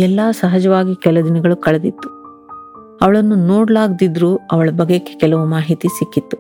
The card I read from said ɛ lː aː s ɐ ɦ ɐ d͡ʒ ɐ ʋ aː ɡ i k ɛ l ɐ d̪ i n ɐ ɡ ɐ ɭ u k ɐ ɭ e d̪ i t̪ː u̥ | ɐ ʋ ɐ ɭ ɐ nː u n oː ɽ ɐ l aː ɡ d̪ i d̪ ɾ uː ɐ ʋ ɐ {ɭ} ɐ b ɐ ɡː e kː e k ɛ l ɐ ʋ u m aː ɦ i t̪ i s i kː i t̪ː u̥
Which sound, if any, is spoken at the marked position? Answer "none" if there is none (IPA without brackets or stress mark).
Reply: ɭ